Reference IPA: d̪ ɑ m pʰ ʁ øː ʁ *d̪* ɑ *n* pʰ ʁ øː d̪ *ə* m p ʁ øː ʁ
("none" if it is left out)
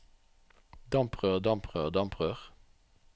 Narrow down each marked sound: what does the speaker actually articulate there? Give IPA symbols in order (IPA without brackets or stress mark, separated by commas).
d̪, m, ɑ